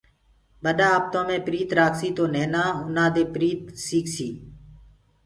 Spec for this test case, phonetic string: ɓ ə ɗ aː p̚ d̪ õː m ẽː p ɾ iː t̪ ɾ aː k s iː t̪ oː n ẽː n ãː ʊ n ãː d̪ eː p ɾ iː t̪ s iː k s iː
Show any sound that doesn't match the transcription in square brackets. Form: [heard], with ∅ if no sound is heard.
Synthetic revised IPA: ɓ ə ɗ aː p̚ [t̪] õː m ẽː p ɾ iː t̪ ɾ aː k s iː t̪ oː n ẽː n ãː ʊ n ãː d̪ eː p ɾ iː t̪ s iː k s iː